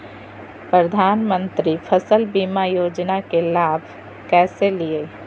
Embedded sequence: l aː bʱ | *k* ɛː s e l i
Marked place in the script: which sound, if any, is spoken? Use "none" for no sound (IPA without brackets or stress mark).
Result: k